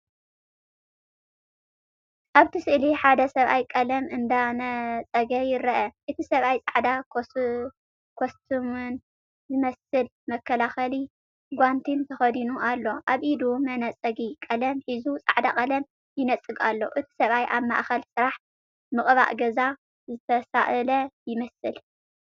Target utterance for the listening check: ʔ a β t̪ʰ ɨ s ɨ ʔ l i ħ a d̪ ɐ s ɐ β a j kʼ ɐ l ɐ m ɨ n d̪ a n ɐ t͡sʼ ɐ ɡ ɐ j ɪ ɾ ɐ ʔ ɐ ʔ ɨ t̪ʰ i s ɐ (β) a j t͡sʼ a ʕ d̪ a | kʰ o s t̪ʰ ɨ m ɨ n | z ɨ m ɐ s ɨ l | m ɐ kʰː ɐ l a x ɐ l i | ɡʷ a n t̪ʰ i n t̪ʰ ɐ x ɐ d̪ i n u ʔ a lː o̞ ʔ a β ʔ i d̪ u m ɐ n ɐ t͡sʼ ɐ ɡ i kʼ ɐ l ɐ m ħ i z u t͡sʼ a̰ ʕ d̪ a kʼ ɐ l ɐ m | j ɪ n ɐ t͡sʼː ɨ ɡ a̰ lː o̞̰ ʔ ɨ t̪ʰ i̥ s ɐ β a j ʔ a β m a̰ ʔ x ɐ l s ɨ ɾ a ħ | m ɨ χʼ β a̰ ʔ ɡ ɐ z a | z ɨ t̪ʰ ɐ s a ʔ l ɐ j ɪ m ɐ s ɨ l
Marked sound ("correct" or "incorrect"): correct